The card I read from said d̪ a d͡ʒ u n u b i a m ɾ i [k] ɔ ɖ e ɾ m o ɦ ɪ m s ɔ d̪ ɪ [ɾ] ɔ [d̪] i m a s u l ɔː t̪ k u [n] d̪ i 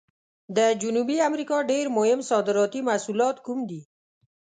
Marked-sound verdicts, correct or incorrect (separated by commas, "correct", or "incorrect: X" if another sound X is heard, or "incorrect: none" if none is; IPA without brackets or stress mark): correct, correct, incorrect: t̪, incorrect: m